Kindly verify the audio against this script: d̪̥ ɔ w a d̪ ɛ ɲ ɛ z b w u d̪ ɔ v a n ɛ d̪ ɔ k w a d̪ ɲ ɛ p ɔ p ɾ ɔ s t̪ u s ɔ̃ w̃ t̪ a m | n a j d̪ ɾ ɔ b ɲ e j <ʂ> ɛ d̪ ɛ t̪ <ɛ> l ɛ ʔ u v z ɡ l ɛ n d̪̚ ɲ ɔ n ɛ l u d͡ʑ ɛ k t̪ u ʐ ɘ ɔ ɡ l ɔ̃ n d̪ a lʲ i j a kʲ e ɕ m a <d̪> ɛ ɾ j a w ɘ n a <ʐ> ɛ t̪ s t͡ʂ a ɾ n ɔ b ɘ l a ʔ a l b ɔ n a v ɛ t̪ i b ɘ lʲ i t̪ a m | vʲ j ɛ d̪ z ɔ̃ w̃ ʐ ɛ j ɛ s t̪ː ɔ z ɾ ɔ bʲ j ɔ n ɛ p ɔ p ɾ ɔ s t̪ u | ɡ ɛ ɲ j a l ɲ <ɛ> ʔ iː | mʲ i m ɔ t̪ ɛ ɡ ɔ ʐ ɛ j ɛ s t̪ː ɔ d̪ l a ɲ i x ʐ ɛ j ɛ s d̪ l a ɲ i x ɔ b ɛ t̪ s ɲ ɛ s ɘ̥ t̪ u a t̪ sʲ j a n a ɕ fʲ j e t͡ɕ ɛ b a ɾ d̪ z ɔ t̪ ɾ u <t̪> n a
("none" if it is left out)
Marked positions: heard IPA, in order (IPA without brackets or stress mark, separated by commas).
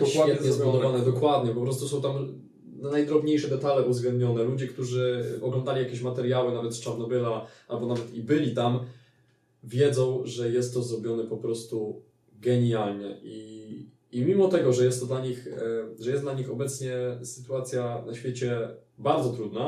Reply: ʂ, a, t̪, v, ɛ, d̪